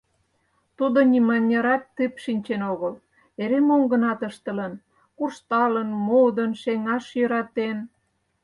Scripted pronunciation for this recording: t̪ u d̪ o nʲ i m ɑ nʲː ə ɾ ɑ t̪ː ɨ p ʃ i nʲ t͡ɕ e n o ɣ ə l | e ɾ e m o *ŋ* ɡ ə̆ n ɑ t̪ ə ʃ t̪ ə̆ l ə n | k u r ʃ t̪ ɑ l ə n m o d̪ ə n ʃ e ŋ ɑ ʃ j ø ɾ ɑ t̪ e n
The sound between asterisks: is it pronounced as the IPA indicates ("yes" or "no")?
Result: yes